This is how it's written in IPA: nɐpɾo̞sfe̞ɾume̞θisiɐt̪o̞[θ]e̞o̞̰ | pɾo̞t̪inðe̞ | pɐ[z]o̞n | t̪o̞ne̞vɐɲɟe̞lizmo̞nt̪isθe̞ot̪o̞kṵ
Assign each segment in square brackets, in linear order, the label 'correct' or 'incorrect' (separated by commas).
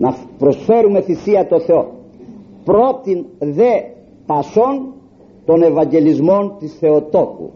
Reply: correct, incorrect